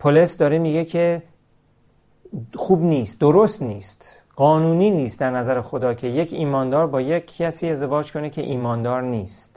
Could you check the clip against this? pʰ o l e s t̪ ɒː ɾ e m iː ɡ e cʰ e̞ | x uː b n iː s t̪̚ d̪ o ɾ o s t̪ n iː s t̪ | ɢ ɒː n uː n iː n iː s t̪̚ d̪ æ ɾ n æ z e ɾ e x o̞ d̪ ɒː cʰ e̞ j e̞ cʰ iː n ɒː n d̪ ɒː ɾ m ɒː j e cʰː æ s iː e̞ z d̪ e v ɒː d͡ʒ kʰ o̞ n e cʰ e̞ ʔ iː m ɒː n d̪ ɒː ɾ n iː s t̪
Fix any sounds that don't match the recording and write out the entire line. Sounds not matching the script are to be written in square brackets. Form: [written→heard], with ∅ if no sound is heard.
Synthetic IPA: pʰ o l e s [t̪→d̪] ɒː ɾ e m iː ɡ e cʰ e̞ | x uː b n iː s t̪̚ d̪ o ɾ o s t̪ n iː s t̪ | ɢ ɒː n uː n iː n iː s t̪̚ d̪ æ ɾ n æ z [e→æ] ɾ e x o̞ d̪ ɒː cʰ e̞ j e̞ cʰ iː [n→m] ɒː n d̪ ɒː ɾ [m→b] ɒː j e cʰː æ s iː e̞ z d̪ e v ɒː d͡ʒ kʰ o̞ n e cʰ e̞ ʔ iː m ɒː n d̪ ɒː ɾ n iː s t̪